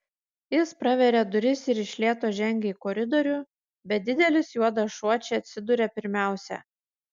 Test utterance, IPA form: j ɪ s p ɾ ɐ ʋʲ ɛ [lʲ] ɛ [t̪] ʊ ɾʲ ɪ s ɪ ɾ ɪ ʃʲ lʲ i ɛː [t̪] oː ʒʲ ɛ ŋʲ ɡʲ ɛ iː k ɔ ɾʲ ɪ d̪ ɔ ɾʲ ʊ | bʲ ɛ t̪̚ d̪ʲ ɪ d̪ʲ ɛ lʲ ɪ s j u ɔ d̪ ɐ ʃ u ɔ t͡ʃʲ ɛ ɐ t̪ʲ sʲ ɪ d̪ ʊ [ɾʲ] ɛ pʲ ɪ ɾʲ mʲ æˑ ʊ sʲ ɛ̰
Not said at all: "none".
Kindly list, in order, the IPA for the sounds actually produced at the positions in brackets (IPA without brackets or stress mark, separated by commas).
ɾʲ, d̪, t̪, ɾʲ